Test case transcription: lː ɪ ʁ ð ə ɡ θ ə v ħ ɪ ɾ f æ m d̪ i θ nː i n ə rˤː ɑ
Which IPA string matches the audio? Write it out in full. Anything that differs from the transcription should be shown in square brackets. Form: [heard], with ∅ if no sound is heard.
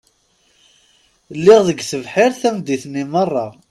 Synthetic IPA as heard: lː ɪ ʁ ð ə ɡ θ ə v ħ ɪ ɾ [θ] æ m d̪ i θ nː i [m] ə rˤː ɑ